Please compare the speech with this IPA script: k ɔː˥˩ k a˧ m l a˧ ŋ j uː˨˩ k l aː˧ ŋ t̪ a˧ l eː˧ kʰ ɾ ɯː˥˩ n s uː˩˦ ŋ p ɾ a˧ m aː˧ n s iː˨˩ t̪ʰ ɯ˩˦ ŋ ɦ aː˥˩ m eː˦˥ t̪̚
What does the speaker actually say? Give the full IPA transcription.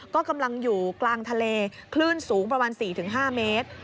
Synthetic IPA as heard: k ɔː˥˩ k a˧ m l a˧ ŋ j uː˨˩ k l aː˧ ŋ t̪ʰ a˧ l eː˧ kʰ l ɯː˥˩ n s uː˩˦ ŋ p ɾ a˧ m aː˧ n s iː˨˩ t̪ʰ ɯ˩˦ ŋ ɦ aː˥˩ m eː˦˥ t̪̚

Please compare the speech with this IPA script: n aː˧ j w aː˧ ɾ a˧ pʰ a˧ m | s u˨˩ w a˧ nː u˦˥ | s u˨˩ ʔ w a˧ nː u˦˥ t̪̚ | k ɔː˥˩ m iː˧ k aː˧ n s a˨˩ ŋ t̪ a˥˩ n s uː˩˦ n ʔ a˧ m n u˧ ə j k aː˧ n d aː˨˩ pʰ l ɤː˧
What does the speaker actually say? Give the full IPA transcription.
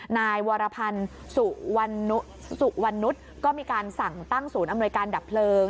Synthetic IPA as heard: n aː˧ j w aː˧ ɾ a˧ pʰ a˧ n | s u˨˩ w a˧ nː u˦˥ | s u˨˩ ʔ w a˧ nː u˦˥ t̪̚ | k ɔː˥˩ m iː˧ k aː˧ n s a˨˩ ŋ t̪ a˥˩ ŋ s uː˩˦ n ʔ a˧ m n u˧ ə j k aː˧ n d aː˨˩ pʰ l ɤː˧

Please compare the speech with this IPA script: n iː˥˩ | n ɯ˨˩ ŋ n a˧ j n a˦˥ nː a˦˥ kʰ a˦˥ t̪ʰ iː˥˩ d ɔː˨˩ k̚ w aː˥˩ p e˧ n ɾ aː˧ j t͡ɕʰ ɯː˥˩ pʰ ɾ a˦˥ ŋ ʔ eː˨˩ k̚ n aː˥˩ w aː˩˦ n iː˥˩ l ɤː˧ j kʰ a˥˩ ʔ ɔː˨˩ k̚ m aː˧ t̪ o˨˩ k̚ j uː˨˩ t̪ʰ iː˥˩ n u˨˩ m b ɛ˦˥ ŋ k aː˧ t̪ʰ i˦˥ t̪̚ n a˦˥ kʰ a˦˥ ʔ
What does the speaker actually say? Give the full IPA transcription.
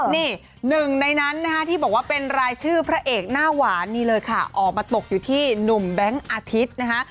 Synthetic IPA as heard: n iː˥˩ | n ɯ˨˩ ŋ n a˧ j n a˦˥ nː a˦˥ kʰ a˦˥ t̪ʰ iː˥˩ b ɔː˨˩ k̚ w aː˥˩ p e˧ n ɾ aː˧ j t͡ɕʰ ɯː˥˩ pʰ ɾ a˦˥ ʔ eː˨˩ k̚ n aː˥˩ w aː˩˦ n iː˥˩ l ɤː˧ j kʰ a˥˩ ʔ ɔː˨˩ k̚ m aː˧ t̪ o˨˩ k̚ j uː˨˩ t̪ʰ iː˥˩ n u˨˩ m b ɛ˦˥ ŋ ʔ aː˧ t̪ʰ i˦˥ t̪̚ n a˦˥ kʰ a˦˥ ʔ

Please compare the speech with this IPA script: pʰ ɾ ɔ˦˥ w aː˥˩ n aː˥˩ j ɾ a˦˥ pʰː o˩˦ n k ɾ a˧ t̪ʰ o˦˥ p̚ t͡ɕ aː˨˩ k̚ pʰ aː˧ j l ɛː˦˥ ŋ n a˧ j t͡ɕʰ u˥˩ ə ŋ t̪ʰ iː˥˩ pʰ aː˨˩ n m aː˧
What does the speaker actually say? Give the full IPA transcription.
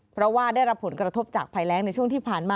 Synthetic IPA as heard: pʰ ɾ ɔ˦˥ w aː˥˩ d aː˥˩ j ɾ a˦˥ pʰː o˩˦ n k ɾ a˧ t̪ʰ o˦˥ p̚ t͡ɕ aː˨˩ k̚ pʰ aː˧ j l ɛː˦˥ ŋ n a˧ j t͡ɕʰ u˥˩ ə ŋ t̪ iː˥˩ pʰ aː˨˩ n m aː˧

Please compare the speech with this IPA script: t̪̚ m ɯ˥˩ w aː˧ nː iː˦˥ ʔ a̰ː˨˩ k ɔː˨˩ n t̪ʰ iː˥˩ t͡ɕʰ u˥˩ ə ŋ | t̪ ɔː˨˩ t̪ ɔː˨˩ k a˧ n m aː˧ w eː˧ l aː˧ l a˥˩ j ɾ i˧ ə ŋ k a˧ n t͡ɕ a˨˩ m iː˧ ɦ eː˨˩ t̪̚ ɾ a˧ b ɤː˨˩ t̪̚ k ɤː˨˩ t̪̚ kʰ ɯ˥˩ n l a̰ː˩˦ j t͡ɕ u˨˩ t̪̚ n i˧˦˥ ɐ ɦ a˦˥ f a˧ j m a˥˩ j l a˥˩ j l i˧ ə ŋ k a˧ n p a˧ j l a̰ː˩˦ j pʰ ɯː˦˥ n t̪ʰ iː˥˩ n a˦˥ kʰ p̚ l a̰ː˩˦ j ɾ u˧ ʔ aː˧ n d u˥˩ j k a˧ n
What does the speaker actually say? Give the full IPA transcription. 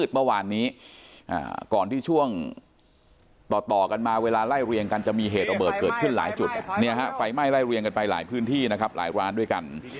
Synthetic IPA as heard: t̪̚ m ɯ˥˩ w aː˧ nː iː˦˥ ʔ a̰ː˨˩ k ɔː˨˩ n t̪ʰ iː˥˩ t͡ɕʰ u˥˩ ə ŋ | t̪ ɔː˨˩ t̪ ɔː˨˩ k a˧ n m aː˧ w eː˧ l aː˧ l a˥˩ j ɾ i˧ ə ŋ k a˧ n t͡ɕ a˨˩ m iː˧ ɦ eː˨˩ t̪̚ ɾ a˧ b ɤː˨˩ t̪̚ k ɤː˨˩ t̪̚ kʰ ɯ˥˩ n l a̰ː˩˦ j t͡ɕ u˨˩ t̪̚ n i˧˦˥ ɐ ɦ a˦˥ f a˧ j m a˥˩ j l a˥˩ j ɾ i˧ ə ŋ k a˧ n p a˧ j l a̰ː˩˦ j pʰ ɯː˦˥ n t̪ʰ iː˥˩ n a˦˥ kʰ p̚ l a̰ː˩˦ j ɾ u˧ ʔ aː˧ n d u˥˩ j k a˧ n

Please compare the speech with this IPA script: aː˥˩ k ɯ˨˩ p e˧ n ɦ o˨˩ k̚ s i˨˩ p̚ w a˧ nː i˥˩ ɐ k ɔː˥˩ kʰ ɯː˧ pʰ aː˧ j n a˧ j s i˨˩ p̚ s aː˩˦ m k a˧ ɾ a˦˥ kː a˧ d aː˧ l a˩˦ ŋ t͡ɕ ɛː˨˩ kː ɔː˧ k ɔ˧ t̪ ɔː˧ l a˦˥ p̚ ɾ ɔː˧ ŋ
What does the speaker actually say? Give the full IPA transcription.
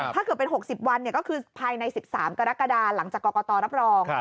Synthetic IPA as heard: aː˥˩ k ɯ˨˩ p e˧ n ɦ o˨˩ k̚ s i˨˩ p̚ w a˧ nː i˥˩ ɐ k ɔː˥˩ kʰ ɯː˧ pʰ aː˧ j n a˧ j s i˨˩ p̚ s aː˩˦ m k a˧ ɾ a˦˥ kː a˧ d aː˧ l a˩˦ ŋ t͡ɕ aː˨˩ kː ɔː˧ k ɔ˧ t̪ ɔː˧ ɾ a˦˥ p̚ ɾ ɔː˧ ŋ

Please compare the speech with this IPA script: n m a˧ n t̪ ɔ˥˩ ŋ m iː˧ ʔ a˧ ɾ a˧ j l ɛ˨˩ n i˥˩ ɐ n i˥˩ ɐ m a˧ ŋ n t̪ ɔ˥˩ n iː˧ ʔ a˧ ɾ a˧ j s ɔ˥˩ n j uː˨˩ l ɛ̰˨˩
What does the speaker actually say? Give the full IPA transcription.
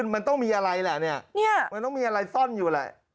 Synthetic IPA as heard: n m a˧ n t̪ ɔ˥˩ ŋ m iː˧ ʔ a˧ ɾ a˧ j l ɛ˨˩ n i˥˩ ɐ n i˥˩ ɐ m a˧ n t̪ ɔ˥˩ m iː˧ ʔ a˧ ɾ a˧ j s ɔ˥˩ n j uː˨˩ l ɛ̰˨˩

